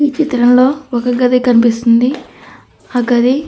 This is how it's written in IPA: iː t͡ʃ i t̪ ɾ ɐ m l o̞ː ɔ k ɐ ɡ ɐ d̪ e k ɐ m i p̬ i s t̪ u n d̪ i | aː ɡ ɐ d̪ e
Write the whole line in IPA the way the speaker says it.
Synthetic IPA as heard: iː t͡ʃ i t̪ ɾ ɐ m l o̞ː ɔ k ɐ ɡ ɐ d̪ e k ɐ n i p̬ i s t̪ u n d̪ i | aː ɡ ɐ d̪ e